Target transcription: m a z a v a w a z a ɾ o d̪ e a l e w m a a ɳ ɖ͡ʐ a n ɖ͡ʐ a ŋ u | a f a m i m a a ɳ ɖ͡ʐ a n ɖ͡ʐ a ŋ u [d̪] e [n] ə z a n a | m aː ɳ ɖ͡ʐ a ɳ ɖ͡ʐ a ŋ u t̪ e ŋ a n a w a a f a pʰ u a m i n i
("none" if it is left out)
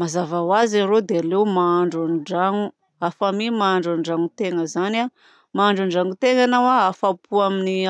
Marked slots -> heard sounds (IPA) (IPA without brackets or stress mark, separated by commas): t̪, ŋ